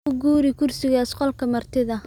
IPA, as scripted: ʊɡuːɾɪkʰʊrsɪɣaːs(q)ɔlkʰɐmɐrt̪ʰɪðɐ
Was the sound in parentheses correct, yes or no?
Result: yes